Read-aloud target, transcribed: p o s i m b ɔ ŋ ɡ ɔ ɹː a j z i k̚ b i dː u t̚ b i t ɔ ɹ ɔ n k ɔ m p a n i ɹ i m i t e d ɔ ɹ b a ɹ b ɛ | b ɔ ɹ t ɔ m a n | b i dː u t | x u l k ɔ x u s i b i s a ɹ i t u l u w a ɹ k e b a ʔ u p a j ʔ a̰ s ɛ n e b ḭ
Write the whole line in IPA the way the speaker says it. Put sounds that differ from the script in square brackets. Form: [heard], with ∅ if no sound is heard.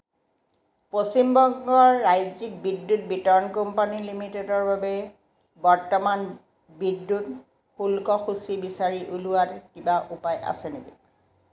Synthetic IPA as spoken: p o s i m b ɔ ŋ ɡ ɔ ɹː a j z i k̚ b i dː u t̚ b i t ɔ ɹ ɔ n k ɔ m p a n i [l] i m i t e d ɔ ɹ b a [∅] b ɛ | b ɔ ɹ t ɔ m a n | b i dː u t | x u l k ɔ x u s i b i s a ɹ i [ʔ] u l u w a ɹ k [i] b a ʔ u p a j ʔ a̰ s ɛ n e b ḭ

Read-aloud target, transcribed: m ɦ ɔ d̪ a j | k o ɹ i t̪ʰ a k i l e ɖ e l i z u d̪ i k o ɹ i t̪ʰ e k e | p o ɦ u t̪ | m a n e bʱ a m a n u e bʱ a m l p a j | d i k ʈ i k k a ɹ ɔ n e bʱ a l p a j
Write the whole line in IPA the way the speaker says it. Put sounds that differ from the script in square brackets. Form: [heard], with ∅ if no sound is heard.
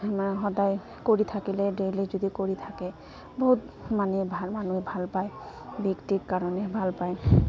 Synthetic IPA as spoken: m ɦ ɔ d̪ a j | k o ɹ i t̪ʰ a k i l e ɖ e l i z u d̪ i k o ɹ i t̪ʰ [a] k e | [b] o ɦ u t̪ | m a n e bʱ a m a n u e bʱ a [∅] l p a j | [b] i k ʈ i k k a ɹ ɔ n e bʱ a l p a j

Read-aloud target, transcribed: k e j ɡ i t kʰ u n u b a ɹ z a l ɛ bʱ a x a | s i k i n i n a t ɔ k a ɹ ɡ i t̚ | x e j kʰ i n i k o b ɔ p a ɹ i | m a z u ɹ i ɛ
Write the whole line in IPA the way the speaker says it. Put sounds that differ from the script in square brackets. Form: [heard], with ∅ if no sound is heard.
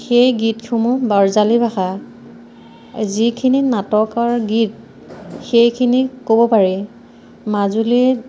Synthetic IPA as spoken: [x] e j ɡ i t kʰ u [m] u b a ɹ z a l [i] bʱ a x a | [z] i [kʰ] i n i n a t ɔ k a ɹ ɡ i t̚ | x e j kʰ i n i k o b ɔ p a ɹ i | m a z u [l] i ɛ

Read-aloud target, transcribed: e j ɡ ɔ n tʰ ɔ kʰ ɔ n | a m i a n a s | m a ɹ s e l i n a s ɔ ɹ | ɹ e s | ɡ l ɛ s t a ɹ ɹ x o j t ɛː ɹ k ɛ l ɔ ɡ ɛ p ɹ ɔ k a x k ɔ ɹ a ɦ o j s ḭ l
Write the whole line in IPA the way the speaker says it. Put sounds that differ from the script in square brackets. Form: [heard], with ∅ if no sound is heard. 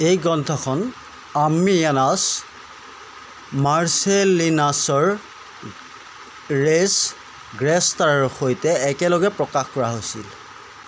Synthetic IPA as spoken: e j ɡ ɔ n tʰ ɔ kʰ ɔ n | a m i a n a s | m a ɹ s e l i n a s ɔ ɹ | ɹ e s | ɡ [ɹ] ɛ s t a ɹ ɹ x o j t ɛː [∅] k ɛ l ɔ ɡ ɛ p ɹ ɔ k a x k ɔ ɹ a ɦ o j s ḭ l

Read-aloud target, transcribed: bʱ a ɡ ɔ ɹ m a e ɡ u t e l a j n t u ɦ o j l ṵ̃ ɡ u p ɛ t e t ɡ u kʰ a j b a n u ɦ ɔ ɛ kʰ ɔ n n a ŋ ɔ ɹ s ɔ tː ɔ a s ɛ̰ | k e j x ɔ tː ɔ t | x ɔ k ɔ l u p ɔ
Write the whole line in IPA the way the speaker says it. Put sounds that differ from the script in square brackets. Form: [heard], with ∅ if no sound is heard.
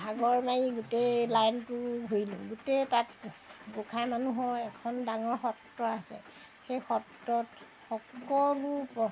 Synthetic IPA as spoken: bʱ a ɡ ɔ ɹ m a [i] ɡ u t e l a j n t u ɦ o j l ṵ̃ ɡ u [t] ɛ t [a] t ɡ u kʰ a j [m] a n u ɦ ɔ ɛ kʰ ɔ n [d] a ŋ ɔ ɹ [x] ɔ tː ɔ a s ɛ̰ | [x] e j x ɔ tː ɔ t | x ɔ k ɔ l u p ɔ

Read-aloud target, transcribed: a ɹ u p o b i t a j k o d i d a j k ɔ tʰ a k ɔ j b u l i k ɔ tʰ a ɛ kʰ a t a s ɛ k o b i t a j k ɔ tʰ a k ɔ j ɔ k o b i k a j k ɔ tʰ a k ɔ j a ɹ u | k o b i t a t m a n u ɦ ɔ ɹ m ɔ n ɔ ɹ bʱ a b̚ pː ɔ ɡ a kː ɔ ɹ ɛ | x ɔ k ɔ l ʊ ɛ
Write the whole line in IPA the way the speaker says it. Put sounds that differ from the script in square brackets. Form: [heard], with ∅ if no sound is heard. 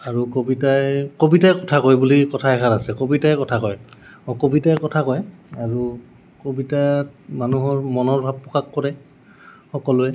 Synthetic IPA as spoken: a ɹ u [k] o b i t a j k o [b] i [t] a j k ɔ tʰ a k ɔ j b u l i k ɔ tʰ a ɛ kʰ a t a s ɛ k o b i t a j k ɔ tʰ a k ɔ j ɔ k o b i [t] a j k ɔ tʰ a k ɔ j a ɹ u | k o b i t a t m a n u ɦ ɔ ɹ m ɔ n ɔ ɹ bʱ a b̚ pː ɔ [k] a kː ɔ ɹ ɛ | x ɔ k ɔ l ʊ ɛ

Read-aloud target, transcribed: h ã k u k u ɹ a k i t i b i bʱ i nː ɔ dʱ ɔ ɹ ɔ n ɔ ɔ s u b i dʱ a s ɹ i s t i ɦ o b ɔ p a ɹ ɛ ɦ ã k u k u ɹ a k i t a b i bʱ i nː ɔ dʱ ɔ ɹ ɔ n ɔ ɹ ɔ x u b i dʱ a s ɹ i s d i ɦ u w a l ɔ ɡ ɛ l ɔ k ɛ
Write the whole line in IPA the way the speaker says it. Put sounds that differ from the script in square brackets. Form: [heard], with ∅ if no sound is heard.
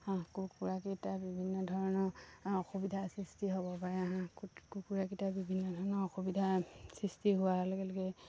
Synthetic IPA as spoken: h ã k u k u ɹ a k i t [a] b i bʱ i nː ɔ dʱ ɔ ɹ ɔ n ɔ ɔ [x] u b i dʱ a s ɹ i s t i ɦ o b ɔ p a ɹ ɛ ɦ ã k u k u ɹ a k i t a b i bʱ i nː ɔ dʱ ɔ ɹ ɔ n ɔ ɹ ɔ x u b i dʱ a s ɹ i s [t] i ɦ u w a l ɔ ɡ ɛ l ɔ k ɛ

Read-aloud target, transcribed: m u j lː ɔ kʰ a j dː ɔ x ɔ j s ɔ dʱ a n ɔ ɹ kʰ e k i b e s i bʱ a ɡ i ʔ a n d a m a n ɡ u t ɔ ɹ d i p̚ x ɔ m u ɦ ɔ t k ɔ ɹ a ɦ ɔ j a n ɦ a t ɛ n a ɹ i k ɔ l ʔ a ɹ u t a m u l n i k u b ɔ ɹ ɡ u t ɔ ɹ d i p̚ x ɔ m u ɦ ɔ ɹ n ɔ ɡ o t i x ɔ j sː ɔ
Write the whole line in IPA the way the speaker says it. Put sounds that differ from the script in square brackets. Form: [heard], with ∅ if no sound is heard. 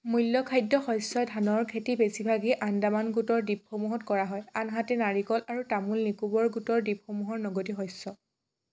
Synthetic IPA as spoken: m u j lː ɔ kʰ a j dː ɔ x ɔ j s ɔ dʱ a n ɔ ɹ kʰ e [t] i b e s i bʱ a ɡ i ʔ a n d a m a n ɡ u t ɔ ɹ d i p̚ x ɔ m u ɦ ɔ t k ɔ ɹ a ɦ ɔ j a n ɦ a t ɛ n a ɹ i k ɔ l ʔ a ɹ u t a m u l n i k u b ɔ ɹ ɡ u t ɔ ɹ d i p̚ x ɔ m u ɦ ɔ ɹ n ɔ ɡ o t i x ɔ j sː ɔ

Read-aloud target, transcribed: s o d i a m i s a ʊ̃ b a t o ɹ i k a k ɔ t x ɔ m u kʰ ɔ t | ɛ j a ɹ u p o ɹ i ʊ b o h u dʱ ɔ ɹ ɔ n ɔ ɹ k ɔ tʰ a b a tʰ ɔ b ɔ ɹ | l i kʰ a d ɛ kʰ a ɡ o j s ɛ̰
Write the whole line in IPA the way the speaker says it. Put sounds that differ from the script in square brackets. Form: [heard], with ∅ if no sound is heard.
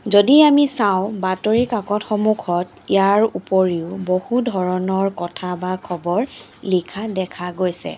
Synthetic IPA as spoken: [z] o d i a m i s a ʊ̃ b a t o ɹ i k a k ɔ t x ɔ m u kʰ ɔ t | [i] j a ɹ u p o ɹ i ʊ b o h u dʱ ɔ ɹ ɔ n ɔ ɹ k ɔ tʰ a b a [kʰ] ɔ b ɔ ɹ | l i kʰ a d ɛ kʰ a ɡ o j s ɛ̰

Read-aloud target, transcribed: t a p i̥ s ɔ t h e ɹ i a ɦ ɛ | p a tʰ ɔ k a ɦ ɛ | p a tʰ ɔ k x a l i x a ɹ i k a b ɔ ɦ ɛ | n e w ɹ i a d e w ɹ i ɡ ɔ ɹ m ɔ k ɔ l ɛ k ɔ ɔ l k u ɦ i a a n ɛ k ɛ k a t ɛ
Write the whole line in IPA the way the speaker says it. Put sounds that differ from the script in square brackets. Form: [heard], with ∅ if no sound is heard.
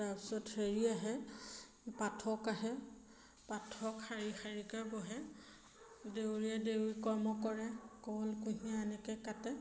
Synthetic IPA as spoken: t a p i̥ s ɔ t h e ɹ i a ɦ ɛ | p a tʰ ɔ k a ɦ ɛ | p a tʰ ɔ k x a [ɹ] i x a ɹ i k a b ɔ ɦ ɛ | [d] e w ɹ i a d e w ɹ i [k] ɔ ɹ m ɔ k ɔ [ɹ] ɛ k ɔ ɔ l k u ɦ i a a n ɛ k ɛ k a t ɛ

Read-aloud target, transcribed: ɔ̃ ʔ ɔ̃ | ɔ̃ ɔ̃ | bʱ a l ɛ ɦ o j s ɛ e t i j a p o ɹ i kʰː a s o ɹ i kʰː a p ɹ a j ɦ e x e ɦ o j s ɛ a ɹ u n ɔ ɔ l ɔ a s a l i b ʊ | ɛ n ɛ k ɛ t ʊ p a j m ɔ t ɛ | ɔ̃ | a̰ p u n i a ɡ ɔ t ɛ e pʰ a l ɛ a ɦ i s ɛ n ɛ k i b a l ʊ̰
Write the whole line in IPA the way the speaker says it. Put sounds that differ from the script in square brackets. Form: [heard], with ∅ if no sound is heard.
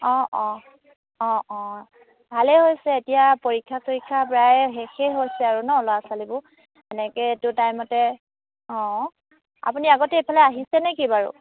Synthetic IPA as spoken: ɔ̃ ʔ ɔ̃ | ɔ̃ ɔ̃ | bʱ a l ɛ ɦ o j s ɛ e t i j a p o ɹ i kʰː a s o ɹ i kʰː a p ɹ a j ɦ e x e ɦ o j s ɛ a ɹ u n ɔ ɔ l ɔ a s a l i b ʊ | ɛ n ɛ k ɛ t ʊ [t] a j m ɔ t ɛ | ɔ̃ | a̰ p u n i a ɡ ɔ t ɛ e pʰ a l ɛ a ɦ i s ɛ n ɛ k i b a [ɹ] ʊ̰

